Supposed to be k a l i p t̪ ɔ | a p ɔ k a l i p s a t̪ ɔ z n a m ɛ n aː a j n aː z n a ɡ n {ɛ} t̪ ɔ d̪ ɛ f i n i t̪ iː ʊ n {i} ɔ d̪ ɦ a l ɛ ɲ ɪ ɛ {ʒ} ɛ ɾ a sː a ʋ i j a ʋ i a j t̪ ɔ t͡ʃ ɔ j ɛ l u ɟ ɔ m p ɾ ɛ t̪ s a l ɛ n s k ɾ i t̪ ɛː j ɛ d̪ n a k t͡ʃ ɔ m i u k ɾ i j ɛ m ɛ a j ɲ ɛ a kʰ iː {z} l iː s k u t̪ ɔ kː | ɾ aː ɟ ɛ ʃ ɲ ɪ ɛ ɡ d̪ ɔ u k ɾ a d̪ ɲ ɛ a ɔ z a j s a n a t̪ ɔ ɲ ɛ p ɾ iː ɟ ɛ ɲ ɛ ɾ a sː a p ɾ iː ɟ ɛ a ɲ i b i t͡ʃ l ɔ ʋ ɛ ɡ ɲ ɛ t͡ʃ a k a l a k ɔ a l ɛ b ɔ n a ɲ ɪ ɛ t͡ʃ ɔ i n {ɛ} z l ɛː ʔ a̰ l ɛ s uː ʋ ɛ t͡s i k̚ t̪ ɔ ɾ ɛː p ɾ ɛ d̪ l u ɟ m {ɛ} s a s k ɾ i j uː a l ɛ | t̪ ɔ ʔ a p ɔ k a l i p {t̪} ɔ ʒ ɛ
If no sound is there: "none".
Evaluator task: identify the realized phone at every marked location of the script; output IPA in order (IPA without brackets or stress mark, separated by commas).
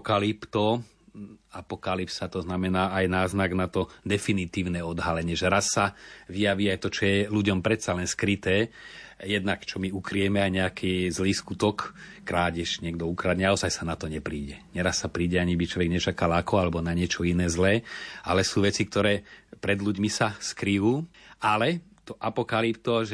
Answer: a, ɛ, ʒ, z, ɛː, i, t̪